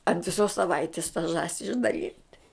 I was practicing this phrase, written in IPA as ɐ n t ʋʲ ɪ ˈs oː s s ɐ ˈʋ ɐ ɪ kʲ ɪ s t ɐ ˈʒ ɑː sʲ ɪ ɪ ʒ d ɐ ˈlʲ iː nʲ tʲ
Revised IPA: ɐ n t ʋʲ ɪ ˈs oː s s ɐ ˈʋ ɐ ɪ tʲ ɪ s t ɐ ˈʒ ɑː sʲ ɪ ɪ ʒ d ɐ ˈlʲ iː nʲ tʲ